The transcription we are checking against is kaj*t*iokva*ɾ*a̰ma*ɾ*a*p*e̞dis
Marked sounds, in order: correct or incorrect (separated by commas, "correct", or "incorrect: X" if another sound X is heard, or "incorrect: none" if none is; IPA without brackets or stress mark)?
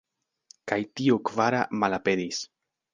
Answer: correct, correct, incorrect: l, correct